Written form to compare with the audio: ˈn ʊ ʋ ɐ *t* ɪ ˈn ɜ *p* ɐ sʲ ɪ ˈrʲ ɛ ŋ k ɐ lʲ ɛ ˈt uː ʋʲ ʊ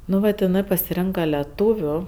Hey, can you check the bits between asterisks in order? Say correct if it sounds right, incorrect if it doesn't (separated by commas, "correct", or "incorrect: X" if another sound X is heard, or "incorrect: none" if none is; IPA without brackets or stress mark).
correct, correct